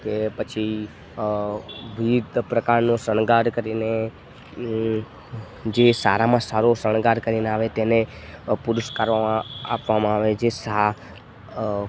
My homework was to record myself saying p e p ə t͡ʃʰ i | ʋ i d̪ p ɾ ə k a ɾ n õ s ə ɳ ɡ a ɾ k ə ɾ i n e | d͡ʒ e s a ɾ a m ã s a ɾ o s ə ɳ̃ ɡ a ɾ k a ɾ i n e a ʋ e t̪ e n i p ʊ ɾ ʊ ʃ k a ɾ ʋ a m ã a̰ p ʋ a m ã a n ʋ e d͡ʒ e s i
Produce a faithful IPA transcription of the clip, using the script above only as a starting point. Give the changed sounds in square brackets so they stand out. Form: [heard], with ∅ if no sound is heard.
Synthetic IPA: [k] e p ə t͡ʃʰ i | ʋ i d̪ p ɾ ə k a ɾ n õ s ə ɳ ɡ a ɾ k ə ɾ i n e | d͡ʒ e s a ɾ a m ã s a ɾ o s ə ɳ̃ ɡ a ɾ k [ə] ɾ i n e a ʋ e t̪ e n [e] p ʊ ɾ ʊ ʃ k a ɾ ʋ a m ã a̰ p ʋ a m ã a [∅] ʋ e d͡ʒ e s [a]